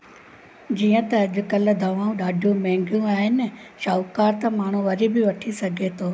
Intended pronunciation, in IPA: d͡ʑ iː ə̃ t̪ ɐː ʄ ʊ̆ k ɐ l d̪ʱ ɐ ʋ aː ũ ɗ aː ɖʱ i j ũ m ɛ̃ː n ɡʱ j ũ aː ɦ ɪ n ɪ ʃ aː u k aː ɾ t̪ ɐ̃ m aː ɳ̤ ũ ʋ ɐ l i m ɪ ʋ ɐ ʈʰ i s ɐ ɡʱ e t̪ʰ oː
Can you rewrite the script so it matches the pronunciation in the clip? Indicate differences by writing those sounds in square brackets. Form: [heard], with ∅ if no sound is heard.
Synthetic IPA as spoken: d͡ʑ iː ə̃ t̪ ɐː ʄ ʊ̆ k ɐ l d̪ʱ ɐ ʋ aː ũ ɗ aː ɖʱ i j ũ m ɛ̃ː [ŋ] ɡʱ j ũ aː ɦ ɪ n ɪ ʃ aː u k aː ɾ t̪ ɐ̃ m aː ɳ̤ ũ ʋ ɐ [ɾ] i [b] ɪ ʋ ɐ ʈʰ i s ɐ ɡʱ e t̪ʰ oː